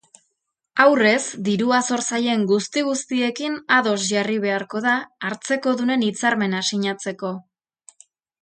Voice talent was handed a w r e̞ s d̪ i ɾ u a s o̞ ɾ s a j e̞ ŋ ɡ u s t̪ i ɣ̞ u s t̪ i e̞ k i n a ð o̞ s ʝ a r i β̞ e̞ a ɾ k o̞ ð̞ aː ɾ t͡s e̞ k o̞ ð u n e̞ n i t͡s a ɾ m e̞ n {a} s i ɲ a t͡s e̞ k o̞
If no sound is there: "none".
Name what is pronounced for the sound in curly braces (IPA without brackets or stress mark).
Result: a